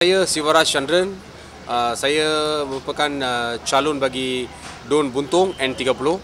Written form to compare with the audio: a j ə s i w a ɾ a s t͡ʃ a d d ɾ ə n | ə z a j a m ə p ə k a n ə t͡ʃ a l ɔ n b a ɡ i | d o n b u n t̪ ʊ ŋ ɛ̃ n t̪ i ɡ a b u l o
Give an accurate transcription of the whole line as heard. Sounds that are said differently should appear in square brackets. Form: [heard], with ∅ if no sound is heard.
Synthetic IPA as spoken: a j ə s i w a ɾ a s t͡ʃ a [n] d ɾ ə n | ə [s] a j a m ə p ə k a n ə t͡ʃ a l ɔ n b a ɡ i | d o n b u n t̪ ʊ ŋ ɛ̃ n t̪ i ɡ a [p] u l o